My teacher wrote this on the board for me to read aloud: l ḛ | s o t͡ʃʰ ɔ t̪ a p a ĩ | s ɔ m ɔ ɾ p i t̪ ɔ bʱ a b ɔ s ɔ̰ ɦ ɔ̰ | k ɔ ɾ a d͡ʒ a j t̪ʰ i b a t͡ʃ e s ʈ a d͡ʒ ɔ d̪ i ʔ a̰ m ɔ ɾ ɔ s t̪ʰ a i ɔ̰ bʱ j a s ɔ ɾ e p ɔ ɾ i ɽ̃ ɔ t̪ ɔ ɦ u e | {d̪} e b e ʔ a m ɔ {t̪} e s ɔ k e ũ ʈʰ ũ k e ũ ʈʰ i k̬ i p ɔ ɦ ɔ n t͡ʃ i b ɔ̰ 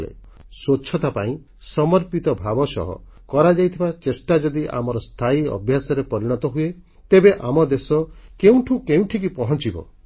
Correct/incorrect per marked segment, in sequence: incorrect: t̪, incorrect: d̪

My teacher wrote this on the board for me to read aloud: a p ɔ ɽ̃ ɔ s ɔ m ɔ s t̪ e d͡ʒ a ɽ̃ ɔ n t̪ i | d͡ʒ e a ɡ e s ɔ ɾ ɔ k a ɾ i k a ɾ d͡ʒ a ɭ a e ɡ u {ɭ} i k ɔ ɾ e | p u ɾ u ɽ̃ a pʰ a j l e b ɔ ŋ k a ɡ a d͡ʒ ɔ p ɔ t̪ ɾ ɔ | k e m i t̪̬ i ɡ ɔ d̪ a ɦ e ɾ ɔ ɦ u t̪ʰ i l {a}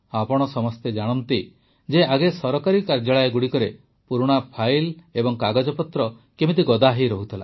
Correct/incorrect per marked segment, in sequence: incorrect: ɽ, correct

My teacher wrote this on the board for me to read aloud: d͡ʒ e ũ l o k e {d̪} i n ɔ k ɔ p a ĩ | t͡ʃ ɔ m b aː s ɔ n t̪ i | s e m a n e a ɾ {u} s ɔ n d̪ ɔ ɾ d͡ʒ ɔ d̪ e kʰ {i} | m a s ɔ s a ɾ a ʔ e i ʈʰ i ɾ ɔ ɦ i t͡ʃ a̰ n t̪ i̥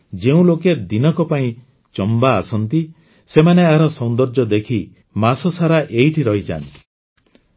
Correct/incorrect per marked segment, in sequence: correct, incorrect: ɔ, correct

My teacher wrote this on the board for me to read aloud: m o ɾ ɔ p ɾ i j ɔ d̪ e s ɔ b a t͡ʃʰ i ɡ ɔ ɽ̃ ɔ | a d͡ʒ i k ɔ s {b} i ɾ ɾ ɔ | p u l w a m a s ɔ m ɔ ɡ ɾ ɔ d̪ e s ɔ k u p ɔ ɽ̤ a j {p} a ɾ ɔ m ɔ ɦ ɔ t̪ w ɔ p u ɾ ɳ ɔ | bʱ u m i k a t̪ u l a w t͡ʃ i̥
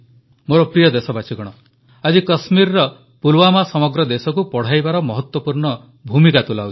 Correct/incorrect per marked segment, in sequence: incorrect: m, incorrect: b

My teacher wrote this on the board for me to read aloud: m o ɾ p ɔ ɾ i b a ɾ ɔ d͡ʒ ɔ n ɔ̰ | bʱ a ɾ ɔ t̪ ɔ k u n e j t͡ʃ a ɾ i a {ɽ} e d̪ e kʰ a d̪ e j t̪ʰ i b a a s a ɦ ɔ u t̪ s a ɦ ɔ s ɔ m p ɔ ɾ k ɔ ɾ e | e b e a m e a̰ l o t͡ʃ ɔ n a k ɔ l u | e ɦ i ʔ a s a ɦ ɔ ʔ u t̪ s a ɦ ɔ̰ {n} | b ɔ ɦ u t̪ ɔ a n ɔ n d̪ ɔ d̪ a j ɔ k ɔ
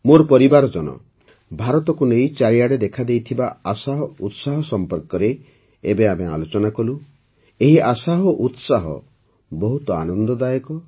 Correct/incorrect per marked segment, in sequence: correct, incorrect: none

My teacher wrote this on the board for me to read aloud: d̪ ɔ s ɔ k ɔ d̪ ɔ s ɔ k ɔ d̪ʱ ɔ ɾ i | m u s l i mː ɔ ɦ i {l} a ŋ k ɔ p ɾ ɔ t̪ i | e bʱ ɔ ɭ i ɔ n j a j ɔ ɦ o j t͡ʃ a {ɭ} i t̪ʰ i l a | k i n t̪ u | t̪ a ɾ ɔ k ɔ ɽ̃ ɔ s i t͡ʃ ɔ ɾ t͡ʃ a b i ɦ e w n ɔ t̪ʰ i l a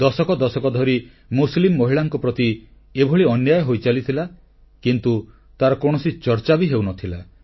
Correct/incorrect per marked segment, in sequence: incorrect: ɭ, incorrect: l

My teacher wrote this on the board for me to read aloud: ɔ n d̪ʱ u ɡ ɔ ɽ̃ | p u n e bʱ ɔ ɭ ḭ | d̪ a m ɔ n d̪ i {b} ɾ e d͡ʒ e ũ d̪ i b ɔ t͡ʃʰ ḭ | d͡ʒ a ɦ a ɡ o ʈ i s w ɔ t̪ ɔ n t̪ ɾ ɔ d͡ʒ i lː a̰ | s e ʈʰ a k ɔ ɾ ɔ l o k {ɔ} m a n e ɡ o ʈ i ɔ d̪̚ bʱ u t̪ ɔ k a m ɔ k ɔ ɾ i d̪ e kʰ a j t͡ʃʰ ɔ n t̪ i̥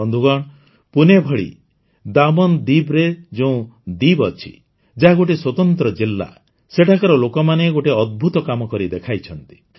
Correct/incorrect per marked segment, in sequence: correct, correct

